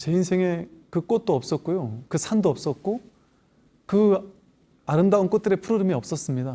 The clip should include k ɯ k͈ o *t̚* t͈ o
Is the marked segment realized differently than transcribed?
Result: no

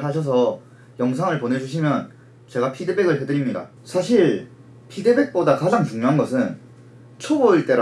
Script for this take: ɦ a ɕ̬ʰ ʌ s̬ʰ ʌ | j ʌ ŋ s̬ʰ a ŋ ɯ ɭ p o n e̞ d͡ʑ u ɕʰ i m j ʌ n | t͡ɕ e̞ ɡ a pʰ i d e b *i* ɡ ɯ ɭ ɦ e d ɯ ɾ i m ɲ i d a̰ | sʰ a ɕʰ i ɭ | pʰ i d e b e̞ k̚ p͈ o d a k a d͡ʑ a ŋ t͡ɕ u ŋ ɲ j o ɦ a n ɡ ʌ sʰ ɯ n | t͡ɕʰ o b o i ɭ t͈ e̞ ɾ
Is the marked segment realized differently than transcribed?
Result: yes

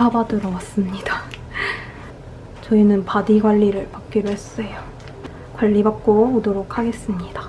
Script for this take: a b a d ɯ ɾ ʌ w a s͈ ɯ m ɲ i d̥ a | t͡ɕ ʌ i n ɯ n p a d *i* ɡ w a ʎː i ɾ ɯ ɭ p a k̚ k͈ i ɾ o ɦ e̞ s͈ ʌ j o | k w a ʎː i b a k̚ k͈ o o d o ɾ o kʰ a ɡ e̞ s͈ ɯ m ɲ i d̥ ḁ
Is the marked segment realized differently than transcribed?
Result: no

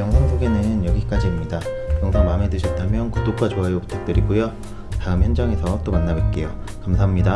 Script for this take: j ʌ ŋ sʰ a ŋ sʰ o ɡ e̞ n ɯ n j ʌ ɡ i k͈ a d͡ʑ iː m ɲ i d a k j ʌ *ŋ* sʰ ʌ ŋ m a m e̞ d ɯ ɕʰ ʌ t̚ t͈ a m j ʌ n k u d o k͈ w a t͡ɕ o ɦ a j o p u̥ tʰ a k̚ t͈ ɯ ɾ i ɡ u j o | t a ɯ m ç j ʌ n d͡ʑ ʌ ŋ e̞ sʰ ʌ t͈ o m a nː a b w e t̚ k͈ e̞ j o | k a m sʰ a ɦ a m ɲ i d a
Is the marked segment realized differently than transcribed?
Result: no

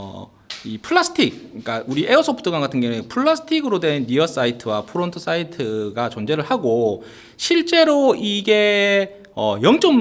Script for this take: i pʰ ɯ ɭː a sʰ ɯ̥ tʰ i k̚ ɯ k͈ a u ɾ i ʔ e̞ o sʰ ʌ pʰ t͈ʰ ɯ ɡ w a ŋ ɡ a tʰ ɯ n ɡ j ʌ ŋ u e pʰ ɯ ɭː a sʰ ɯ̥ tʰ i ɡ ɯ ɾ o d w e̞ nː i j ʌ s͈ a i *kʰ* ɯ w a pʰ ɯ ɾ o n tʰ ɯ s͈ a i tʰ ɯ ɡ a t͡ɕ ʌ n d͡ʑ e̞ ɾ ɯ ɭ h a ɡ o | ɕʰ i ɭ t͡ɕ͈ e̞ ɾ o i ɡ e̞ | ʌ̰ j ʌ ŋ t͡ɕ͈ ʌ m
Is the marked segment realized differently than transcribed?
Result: yes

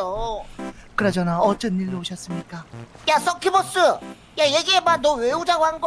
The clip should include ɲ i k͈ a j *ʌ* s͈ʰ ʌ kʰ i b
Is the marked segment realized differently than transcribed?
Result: yes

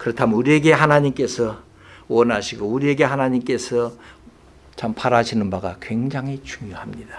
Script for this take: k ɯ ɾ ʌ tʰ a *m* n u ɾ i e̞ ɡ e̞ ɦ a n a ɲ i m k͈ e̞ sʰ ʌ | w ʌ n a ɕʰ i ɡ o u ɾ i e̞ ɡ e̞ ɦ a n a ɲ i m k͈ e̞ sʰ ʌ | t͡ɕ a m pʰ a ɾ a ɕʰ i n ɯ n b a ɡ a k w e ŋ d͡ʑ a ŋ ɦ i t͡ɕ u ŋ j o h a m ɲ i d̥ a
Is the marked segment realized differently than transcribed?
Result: no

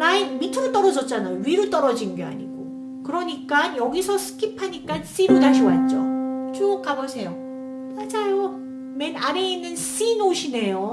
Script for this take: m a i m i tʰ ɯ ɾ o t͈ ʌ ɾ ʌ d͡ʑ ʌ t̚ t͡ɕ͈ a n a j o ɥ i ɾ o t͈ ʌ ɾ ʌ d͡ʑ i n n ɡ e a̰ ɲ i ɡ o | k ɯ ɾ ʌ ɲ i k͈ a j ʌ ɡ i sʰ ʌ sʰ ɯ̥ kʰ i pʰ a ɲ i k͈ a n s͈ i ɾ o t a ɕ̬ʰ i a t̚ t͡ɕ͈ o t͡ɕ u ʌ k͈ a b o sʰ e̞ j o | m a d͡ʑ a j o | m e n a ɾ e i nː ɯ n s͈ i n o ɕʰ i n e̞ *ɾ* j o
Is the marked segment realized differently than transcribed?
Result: yes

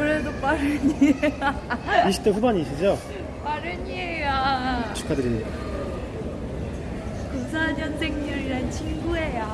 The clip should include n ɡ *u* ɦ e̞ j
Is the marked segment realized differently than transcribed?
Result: no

